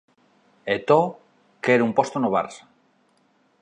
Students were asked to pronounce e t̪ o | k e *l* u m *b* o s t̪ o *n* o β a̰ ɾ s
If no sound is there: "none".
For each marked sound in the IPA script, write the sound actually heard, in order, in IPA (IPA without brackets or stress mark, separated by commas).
ɾ, p, n